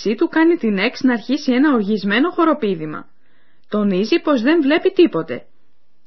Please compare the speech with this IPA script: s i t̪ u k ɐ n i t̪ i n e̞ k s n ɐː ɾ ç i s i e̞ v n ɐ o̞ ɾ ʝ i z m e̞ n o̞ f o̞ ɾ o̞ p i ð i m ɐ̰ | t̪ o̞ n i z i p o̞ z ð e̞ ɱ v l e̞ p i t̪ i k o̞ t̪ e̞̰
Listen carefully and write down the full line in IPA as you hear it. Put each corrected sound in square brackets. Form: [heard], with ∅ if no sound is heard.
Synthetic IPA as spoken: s i t̪ u k ɐ n i t̪ i n e̞ k s n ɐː ɾ ç i s i e̞ [∅] n ɐ o̞ ɾ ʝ i z m e̞ n o̞ [x] o̞ ɾ o̞ p i ð i m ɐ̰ | t̪ o̞ n i z i p o̞ z ð e̞ ɱ v l e̞ p i t̪ i [p] o̞ t̪ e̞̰